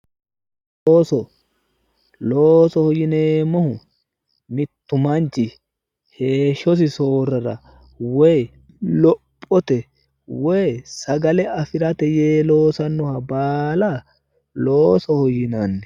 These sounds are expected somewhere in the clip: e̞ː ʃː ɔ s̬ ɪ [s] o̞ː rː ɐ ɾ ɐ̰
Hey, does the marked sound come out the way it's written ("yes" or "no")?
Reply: yes